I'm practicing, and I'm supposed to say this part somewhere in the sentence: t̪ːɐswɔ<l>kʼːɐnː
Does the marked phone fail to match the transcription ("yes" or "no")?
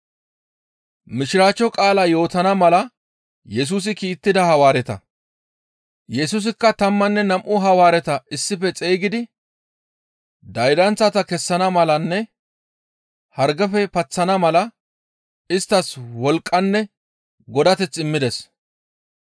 no